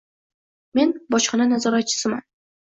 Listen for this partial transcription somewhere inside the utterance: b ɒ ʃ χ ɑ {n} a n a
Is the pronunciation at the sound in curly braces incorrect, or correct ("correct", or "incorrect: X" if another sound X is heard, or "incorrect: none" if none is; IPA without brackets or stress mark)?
correct